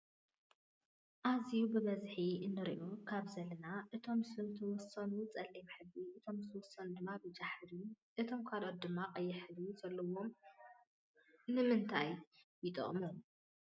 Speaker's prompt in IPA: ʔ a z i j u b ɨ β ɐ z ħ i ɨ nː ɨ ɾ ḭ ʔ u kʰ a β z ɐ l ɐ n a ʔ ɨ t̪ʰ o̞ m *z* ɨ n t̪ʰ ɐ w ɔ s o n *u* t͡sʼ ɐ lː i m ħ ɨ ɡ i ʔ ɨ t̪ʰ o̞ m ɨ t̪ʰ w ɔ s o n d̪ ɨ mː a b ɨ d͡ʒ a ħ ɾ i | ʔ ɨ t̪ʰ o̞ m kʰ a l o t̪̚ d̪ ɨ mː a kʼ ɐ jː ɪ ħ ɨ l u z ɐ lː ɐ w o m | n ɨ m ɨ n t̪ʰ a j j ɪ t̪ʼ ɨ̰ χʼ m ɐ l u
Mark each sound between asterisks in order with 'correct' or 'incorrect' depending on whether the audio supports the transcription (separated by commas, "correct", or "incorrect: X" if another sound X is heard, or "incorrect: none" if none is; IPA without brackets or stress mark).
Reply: incorrect: s, correct